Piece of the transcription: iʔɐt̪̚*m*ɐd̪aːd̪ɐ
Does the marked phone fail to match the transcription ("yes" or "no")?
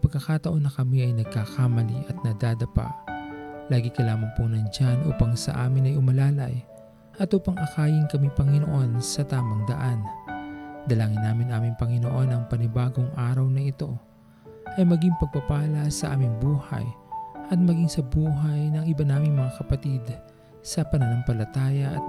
yes